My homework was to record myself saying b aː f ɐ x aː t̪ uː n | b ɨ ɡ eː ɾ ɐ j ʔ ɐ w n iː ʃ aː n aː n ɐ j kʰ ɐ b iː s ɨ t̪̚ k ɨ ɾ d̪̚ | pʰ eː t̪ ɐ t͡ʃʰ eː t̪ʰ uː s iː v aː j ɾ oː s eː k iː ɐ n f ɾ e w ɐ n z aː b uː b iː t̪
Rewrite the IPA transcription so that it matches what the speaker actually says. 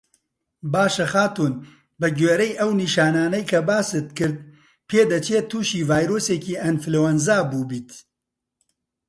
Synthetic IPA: b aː ʃ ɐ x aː t̪ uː n | b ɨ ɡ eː ɾ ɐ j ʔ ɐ w n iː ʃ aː n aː n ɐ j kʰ ɐ b aː s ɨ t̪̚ k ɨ ɾ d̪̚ | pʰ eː d̪ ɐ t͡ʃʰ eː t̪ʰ uː ʃ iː v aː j ɾ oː s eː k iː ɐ n f l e w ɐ n z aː b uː b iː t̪

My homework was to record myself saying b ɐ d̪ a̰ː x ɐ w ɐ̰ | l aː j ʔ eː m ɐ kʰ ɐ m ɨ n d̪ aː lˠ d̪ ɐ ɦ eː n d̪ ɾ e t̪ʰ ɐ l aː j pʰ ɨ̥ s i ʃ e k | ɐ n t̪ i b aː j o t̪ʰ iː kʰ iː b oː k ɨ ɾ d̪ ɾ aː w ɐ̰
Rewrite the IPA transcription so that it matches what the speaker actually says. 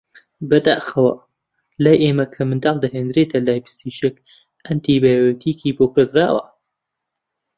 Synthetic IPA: b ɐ d̪ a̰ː x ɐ w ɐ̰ | l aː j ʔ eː m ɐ kʰ ɐ m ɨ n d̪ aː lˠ d̪ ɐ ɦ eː n d̪ ɾ e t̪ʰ ɐ l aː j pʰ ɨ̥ s i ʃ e k | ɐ n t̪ i b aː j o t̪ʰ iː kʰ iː b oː k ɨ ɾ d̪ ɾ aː w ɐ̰

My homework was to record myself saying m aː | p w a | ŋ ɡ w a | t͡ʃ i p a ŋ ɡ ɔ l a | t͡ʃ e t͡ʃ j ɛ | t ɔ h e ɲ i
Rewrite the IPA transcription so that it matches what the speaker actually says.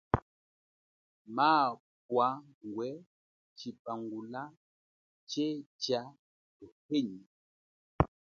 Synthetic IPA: m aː | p w a | ŋ ɡ w ɛ | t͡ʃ i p a ŋ ɡ u l a | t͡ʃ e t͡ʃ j a | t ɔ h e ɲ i

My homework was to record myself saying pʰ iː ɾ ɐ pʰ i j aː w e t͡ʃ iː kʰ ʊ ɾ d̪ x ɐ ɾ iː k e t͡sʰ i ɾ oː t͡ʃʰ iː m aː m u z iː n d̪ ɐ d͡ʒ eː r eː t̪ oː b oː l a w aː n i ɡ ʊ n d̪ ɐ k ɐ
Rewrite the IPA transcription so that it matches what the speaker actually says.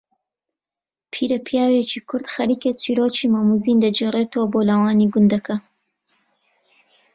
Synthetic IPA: pʰ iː ɾ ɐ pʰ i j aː w e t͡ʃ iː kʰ ʊ ɾ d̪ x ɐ ɾ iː k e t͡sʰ i ɾ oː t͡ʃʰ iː m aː m u z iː n d̪ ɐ d͡ʒ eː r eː t̪ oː b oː l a w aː n i ɡ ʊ n d̪ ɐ k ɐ

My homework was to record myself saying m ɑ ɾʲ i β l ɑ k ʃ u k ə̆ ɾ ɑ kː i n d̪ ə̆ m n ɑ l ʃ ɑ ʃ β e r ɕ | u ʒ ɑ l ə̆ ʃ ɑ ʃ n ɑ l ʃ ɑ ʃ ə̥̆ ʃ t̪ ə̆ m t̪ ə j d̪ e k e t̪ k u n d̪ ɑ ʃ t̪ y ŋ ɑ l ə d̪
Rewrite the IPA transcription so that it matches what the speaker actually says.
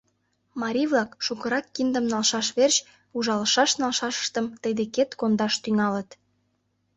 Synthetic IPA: m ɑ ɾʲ i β l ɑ k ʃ u k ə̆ ɾ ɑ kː i n d̪ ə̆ m n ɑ l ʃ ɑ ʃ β e r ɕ | u ʒ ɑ l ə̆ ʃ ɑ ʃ n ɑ l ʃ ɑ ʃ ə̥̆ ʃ t̪ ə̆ m t̪ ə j d̪ e k e t̪ k o n d̪ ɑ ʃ t̪ y ŋ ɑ l ə t̪

